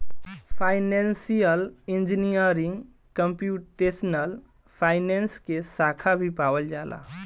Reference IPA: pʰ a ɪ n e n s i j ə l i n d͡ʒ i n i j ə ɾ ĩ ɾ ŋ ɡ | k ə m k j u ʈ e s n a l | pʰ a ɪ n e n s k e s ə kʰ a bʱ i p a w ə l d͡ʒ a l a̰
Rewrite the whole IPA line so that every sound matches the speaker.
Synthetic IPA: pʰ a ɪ n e n s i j ə l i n d͡ʒ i n i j ə ɾ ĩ ŋ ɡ | k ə m p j u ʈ e s n ə l | pʰ a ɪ n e n s k e s a kʰ a bʱ i p a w ə l d͡ʒ a l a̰